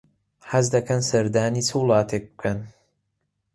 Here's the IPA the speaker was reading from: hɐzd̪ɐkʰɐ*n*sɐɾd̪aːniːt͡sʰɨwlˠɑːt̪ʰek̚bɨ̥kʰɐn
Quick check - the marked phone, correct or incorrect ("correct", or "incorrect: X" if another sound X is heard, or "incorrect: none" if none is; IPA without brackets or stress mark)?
correct